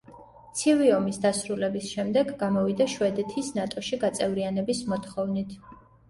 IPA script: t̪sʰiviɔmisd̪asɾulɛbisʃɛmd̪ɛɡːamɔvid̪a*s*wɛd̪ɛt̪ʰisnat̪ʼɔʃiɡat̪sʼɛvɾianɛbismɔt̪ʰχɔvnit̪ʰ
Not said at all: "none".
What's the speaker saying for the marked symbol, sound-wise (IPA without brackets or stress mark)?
ʃ